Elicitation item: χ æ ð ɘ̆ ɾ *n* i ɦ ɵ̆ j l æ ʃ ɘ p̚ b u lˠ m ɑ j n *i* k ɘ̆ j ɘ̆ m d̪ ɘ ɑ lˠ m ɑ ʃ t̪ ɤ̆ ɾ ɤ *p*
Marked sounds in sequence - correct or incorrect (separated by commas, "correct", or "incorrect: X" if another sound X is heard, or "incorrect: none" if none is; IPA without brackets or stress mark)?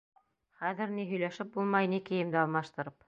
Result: correct, correct, correct